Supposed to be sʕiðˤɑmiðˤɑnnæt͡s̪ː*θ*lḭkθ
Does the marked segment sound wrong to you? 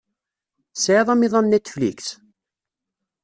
yes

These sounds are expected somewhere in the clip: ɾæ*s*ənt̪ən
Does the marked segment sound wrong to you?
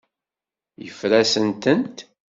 no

